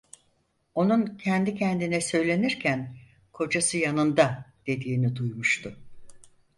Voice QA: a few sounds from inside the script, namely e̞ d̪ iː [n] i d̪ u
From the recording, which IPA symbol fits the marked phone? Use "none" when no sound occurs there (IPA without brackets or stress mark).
n